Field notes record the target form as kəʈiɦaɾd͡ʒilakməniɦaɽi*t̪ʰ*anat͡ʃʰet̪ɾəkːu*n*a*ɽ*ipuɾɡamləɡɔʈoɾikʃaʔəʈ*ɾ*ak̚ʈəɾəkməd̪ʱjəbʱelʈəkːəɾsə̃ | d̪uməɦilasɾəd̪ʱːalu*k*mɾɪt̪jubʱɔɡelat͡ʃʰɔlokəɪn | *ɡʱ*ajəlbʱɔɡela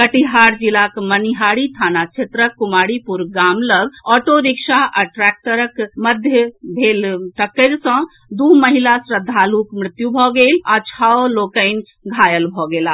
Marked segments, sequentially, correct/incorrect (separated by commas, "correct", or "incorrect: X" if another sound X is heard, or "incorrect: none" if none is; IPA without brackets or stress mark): correct, incorrect: m, correct, correct, correct, correct